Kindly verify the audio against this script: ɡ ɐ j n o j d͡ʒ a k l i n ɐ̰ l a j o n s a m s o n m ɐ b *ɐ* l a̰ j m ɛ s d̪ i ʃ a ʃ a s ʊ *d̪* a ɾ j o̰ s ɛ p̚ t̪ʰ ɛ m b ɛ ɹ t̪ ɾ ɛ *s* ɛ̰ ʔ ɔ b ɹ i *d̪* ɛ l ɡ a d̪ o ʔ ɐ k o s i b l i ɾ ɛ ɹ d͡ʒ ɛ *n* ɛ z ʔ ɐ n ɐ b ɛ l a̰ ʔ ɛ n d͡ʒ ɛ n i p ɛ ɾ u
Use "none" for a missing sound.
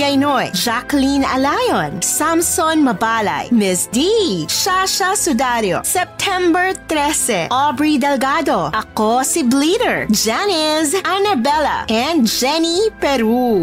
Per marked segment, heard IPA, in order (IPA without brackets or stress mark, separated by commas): a, d̪, s, d̪, n